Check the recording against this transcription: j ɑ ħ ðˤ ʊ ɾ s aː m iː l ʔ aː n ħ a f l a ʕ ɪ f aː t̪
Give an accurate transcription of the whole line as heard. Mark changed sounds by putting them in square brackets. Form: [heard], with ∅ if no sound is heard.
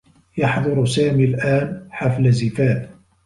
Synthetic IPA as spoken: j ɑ ħ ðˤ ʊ ɾ s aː m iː l ʔ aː n ħ a f l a [z] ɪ f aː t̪